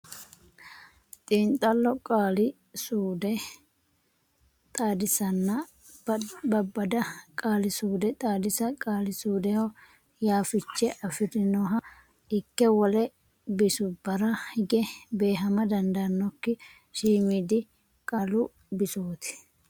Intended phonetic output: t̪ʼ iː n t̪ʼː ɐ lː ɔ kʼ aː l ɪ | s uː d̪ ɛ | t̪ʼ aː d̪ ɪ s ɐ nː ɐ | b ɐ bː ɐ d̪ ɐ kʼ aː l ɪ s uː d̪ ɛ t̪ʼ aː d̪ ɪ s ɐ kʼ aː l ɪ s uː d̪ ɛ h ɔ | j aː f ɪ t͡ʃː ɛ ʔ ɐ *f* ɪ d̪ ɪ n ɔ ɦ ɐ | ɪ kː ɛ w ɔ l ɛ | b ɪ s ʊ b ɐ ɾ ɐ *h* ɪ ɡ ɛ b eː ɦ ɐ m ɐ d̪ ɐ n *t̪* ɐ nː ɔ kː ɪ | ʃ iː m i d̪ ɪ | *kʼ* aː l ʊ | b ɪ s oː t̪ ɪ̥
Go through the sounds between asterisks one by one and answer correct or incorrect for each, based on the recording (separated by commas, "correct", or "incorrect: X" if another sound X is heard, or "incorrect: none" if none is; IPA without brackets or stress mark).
correct, correct, incorrect: d̪, correct